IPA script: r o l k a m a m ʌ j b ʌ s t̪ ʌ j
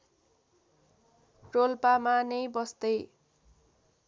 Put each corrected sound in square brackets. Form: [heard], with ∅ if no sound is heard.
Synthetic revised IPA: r o l [p] a m a [n] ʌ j b ʌ s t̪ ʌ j